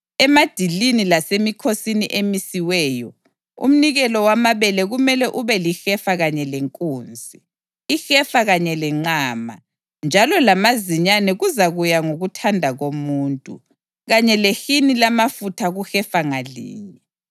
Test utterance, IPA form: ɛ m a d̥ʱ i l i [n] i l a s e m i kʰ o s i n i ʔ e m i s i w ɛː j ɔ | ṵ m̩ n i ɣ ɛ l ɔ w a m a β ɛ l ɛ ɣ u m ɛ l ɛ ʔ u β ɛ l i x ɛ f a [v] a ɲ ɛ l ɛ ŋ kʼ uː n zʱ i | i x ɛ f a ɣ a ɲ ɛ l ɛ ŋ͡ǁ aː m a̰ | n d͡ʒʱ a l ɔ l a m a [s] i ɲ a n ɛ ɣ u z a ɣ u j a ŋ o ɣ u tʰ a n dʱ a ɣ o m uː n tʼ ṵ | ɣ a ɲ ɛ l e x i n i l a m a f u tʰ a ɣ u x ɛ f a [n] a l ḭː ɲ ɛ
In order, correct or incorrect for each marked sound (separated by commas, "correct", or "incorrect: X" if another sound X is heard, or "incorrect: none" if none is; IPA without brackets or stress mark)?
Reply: correct, incorrect: ɣ, incorrect: z, incorrect: ŋ